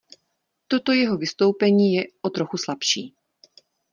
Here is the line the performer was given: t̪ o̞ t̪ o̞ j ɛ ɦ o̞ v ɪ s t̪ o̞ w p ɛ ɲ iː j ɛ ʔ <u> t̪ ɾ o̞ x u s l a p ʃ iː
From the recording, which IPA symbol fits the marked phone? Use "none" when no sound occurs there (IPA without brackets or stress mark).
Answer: o